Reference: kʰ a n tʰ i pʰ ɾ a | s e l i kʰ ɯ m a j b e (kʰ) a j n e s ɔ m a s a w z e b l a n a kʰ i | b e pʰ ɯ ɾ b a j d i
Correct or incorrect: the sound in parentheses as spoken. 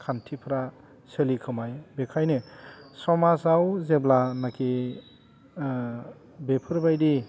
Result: correct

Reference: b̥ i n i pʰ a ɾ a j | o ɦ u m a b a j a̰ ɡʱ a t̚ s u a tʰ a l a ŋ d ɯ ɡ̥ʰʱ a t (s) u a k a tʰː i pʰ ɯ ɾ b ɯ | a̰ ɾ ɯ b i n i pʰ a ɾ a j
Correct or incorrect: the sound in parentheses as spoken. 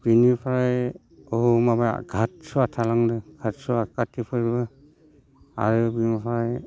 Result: correct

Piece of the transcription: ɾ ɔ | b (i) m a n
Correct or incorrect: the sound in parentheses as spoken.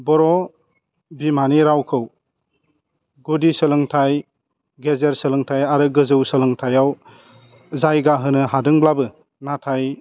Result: correct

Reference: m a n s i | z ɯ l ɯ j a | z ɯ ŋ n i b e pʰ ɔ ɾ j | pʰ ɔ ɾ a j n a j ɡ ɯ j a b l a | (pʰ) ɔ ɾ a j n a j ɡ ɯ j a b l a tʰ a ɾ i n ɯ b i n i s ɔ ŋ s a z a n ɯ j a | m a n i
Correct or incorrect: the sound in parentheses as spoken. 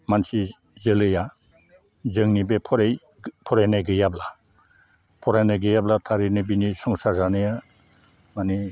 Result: correct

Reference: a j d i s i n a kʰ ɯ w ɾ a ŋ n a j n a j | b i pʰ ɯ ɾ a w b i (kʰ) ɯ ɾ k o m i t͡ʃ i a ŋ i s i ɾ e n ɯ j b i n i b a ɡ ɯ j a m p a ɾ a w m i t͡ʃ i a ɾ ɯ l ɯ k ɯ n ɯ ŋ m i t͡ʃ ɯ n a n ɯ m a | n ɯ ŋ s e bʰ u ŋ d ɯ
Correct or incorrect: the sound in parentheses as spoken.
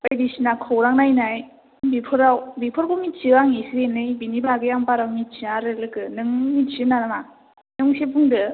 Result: incorrect: pʰ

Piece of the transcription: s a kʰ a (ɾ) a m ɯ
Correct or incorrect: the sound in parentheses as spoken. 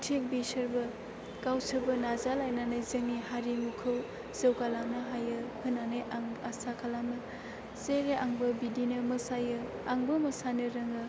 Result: incorrect: l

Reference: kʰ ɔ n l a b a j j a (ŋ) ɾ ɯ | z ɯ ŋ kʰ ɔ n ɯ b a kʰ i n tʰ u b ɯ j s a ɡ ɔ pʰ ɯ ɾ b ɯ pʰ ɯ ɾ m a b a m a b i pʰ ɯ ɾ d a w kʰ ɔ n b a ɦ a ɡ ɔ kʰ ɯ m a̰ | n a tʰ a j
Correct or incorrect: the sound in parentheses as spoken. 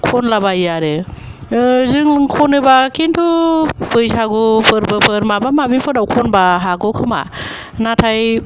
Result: incorrect: none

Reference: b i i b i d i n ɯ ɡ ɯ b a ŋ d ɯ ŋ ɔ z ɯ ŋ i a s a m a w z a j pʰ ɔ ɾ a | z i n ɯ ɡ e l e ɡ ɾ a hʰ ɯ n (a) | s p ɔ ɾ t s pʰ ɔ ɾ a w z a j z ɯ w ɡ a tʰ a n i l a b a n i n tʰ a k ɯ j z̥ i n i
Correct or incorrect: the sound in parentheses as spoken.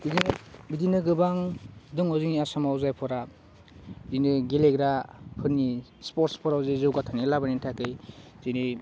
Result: incorrect: i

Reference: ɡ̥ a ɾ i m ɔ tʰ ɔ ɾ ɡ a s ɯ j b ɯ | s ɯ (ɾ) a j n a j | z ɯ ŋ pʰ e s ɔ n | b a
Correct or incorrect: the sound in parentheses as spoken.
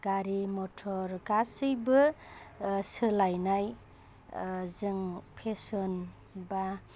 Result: incorrect: l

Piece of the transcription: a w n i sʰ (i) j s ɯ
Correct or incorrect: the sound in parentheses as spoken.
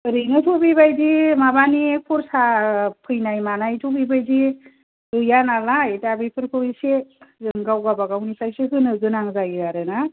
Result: incorrect: a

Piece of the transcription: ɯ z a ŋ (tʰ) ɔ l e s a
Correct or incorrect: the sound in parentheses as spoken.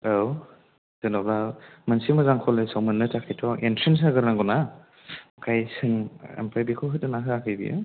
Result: incorrect: kʰ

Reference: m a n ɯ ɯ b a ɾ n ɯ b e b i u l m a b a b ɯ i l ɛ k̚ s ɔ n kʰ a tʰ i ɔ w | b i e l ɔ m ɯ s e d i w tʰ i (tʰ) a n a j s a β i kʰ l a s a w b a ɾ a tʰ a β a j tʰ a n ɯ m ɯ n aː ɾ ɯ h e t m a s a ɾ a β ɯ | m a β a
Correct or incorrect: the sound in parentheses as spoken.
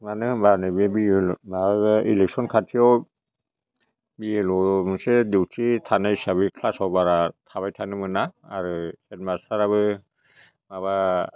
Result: correct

